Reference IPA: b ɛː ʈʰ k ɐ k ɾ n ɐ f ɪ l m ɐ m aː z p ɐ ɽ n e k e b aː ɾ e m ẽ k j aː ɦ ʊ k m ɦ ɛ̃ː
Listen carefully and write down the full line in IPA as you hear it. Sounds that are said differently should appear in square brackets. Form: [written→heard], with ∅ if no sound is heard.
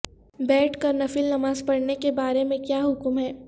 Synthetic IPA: b ɛː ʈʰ k ɐ [k→∅] ɾ n ɐ f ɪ l [m→n] ɐ m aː z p ɐ ɽ n e k e b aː ɾ e m ẽ k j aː ɦ ʊ k m ɦ [ɛ̃ː→ɛː]